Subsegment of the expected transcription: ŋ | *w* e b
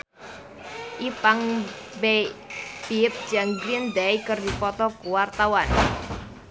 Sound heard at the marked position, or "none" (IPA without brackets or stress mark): b